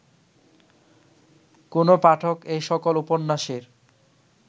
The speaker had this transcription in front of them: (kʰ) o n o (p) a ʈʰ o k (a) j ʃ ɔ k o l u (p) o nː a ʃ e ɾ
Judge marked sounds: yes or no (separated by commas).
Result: no, yes, no, yes